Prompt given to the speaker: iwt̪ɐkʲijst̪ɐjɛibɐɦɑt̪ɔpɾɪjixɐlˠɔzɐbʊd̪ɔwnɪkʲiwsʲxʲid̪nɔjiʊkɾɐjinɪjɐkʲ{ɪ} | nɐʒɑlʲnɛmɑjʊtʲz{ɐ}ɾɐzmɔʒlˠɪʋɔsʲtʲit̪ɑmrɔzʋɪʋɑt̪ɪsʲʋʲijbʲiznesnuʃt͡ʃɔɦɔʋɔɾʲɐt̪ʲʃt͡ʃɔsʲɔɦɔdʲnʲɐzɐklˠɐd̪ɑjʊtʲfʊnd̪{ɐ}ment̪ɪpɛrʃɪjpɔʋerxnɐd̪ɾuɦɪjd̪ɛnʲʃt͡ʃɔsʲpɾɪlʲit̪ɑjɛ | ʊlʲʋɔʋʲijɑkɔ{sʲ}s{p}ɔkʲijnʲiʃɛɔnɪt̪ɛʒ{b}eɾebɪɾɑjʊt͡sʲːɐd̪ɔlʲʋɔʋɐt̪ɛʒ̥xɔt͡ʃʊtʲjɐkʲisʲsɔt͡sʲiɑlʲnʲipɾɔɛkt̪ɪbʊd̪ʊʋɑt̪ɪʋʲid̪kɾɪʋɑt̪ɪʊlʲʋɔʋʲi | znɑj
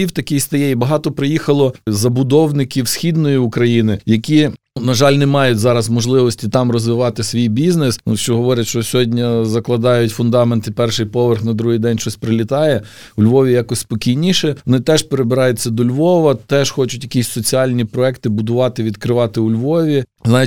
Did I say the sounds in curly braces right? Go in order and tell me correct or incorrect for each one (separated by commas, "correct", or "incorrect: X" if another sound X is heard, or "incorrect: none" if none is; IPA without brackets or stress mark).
incorrect: i, incorrect: ɑ, incorrect: ɑ, correct, correct, incorrect: p